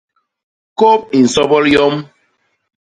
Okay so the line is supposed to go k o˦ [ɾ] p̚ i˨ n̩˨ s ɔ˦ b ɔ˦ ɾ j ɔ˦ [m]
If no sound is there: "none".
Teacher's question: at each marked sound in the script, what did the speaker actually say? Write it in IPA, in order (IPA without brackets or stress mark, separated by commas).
none, m